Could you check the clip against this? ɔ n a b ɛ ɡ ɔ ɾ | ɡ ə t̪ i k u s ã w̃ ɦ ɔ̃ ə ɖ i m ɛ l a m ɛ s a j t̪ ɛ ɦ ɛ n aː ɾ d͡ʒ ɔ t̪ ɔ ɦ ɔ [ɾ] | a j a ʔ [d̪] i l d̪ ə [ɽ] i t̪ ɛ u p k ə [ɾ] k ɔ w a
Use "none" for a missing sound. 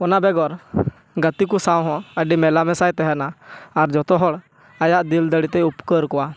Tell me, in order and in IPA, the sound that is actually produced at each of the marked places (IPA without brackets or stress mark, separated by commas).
ɽ, d̪, ɽ, ɾ